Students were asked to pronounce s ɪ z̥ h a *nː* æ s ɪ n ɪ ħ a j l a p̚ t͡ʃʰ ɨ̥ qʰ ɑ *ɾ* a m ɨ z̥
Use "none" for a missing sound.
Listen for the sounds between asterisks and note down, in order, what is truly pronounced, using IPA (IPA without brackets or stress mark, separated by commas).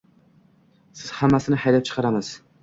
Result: mː, ɾ